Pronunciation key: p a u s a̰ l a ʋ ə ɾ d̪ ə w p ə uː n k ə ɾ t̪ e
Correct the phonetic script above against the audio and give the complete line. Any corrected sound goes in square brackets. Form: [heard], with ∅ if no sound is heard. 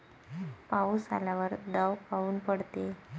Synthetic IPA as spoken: p a u s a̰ l a ʋ ə ɾ d̪ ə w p [a] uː n [p] ə [ɽ] t̪ e